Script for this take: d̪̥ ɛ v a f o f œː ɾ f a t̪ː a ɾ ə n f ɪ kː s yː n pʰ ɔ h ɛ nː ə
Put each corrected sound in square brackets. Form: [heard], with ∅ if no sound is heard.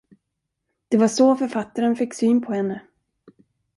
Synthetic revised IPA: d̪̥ ɛ v a [ʂ] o f [œ] ɾ f a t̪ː a ɾ ə n f ɪ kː s yː n pʰ ɔ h ɛ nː ə